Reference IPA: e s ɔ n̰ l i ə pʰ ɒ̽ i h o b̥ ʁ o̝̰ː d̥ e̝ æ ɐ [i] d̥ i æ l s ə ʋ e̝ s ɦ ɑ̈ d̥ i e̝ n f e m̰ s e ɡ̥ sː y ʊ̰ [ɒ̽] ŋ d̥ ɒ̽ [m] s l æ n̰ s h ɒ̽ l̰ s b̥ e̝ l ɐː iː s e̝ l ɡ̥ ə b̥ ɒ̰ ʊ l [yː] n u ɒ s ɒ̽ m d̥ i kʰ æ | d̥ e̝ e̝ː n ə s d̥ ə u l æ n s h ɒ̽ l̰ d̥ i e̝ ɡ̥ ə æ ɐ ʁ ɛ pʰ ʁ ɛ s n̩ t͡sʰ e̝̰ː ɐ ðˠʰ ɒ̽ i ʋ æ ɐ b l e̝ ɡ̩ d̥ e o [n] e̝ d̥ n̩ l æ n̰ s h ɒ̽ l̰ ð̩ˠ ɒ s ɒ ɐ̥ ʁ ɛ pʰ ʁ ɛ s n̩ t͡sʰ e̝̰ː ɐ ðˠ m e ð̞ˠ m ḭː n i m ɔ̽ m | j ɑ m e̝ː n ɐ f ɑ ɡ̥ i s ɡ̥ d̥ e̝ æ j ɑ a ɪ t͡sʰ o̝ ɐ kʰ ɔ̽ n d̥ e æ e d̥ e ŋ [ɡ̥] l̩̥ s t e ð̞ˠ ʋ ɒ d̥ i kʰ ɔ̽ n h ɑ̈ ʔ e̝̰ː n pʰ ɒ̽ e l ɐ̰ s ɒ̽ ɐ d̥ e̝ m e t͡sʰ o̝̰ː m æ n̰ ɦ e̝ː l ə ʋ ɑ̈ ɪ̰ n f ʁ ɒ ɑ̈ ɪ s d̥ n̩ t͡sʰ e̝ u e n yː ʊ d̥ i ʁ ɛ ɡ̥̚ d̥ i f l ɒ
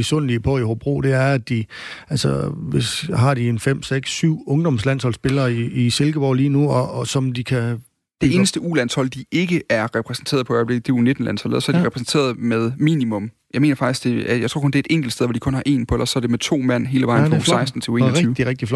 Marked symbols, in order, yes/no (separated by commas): no, no, yes, no, yes, yes